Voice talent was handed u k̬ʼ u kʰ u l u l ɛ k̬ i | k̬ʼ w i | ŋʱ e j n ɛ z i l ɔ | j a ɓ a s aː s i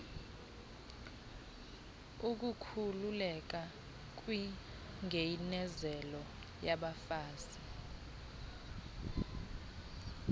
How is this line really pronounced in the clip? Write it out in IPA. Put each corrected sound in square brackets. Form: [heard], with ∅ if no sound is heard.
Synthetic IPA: u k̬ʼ u kʰ u l u l ɛ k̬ [a] | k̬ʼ w i | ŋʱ e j n ɛ z [ɛ] l ɔ | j a ɓ a [f] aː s i